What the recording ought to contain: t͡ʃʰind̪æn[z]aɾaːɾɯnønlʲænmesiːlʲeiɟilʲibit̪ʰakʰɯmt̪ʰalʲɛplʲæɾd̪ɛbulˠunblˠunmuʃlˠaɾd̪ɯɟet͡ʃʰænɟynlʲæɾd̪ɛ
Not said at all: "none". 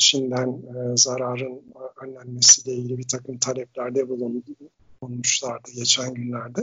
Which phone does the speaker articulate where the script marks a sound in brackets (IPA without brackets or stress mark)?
z